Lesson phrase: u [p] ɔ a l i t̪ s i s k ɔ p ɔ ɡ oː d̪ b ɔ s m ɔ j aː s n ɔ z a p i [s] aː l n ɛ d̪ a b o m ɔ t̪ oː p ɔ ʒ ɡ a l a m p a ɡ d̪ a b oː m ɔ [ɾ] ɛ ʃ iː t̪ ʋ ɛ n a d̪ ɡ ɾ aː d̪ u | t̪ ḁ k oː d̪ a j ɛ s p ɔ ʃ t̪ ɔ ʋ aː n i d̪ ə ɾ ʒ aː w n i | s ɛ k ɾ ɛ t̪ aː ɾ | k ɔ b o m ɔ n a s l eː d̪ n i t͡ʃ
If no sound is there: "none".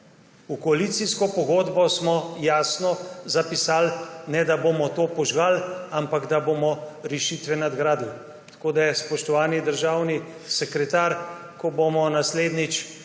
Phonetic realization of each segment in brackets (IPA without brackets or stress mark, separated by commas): k, s, ɾ